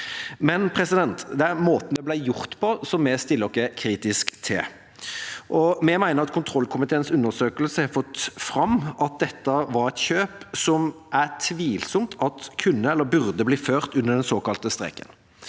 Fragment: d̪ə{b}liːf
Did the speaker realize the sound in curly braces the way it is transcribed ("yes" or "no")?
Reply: yes